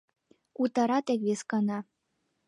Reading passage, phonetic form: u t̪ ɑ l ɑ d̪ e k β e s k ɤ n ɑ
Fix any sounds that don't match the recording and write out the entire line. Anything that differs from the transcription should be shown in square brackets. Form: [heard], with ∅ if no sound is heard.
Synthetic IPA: u t̪ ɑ [ɾ] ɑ [t̪] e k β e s k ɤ n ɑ